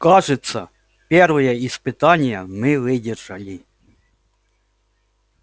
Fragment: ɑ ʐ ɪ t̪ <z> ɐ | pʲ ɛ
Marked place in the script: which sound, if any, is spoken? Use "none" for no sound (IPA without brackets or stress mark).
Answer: s